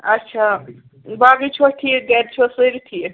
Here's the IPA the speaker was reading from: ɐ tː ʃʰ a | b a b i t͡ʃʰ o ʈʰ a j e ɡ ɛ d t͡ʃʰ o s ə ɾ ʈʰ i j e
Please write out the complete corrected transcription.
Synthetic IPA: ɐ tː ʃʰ a | b a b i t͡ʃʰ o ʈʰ i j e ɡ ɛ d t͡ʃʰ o s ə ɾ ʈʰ i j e

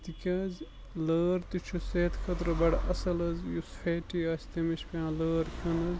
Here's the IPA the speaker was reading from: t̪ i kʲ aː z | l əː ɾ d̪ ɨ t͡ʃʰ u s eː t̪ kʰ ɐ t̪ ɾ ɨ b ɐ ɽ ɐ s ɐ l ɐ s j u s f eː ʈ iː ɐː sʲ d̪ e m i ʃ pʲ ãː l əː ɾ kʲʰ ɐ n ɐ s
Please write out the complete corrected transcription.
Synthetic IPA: t̪ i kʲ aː z | l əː ɾ t̪ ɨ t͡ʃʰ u s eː t̪ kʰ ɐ t̪ ɾ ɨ b ɐ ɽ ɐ s ɐ l ɐ z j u s f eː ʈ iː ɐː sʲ t̪ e m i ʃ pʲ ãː l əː ɾ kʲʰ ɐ n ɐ z

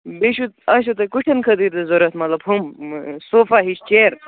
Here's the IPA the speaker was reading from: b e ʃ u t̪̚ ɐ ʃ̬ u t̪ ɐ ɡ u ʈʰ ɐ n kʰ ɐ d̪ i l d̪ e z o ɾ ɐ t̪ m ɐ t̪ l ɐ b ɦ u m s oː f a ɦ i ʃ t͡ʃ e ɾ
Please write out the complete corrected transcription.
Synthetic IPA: b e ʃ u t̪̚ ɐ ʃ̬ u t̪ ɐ k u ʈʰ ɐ n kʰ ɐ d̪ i ɾ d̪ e z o ɾ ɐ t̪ m ɐ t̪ l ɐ b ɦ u m s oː f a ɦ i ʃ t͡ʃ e ɾ

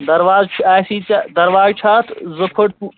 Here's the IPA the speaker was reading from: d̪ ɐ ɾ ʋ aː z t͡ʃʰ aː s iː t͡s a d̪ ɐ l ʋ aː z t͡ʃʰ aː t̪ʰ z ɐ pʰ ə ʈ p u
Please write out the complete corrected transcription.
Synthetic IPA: d̪ ɐ ɾ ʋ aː z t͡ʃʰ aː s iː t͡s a d̪ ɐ ɾ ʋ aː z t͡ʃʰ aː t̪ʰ z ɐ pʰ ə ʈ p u

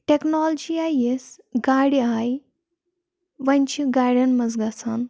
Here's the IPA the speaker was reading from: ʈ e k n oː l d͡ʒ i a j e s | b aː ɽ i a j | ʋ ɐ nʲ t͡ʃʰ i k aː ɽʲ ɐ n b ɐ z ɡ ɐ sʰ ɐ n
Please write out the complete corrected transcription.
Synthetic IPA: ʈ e k n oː l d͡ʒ i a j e s | ɡ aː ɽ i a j | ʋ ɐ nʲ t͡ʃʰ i ɡ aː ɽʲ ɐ n m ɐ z ɡ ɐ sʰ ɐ n

